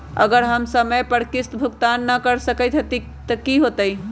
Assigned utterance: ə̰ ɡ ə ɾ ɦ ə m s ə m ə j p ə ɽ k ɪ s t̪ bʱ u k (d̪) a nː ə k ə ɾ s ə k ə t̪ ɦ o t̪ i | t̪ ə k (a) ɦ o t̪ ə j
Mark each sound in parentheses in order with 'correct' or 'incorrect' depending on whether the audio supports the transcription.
incorrect, incorrect

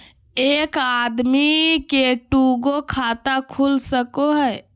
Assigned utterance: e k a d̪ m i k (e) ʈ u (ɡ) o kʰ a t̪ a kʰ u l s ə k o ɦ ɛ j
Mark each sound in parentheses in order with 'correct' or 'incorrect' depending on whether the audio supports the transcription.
correct, correct

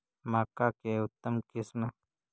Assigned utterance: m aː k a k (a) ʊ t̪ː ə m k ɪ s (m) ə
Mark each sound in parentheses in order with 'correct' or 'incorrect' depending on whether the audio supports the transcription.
incorrect, correct

